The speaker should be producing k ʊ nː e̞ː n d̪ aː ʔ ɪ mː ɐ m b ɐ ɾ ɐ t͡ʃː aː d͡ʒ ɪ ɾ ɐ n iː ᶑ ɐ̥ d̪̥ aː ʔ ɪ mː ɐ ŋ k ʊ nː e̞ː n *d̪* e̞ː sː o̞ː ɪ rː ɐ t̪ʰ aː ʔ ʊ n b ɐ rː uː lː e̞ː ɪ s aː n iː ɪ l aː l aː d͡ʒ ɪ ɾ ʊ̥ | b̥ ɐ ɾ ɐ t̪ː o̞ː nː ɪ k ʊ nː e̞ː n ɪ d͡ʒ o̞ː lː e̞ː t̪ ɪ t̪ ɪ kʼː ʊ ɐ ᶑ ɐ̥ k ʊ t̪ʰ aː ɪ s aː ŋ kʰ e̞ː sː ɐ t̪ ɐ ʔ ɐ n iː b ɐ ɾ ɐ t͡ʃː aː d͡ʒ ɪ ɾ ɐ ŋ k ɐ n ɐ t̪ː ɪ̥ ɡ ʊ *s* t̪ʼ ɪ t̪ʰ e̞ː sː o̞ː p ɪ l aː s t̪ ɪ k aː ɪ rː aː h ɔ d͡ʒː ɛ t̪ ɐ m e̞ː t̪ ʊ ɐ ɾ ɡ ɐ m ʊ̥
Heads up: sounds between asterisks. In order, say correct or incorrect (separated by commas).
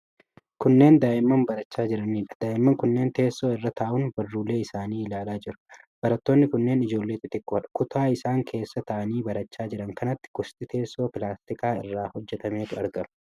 incorrect, correct